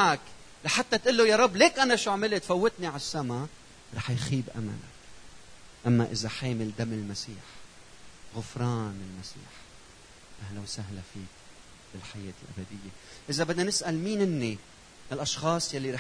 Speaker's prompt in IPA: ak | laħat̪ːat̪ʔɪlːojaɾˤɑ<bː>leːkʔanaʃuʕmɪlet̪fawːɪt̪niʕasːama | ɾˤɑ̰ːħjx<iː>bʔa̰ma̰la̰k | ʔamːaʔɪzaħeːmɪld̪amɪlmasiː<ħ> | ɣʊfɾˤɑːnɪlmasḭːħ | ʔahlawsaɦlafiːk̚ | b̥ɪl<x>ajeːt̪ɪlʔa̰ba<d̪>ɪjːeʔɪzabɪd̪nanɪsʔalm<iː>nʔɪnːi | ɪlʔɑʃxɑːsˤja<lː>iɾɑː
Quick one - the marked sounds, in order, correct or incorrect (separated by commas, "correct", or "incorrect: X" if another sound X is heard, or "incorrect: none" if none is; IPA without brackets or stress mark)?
correct, correct, correct, incorrect: ħ, correct, correct, correct